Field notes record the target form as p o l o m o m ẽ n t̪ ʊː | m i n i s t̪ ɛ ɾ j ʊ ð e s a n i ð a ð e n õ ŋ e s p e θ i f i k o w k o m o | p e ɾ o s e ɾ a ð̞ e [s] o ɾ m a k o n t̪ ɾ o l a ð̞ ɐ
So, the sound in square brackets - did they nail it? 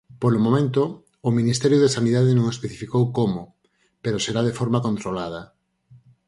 no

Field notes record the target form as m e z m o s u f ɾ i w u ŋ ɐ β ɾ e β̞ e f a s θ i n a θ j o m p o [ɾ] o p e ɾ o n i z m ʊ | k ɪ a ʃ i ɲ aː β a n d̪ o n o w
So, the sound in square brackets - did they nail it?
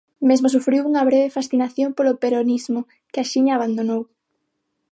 no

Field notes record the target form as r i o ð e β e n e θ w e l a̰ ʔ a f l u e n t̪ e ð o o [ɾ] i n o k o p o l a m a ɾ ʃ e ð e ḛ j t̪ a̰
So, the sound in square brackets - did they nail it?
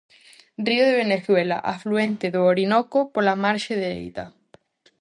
yes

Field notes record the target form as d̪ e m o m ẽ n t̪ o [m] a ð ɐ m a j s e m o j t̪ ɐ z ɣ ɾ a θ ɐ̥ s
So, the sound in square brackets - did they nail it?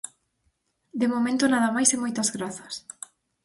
no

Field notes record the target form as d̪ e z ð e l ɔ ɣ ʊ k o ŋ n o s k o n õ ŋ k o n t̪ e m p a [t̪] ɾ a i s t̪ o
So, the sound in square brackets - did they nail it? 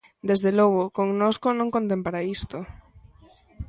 no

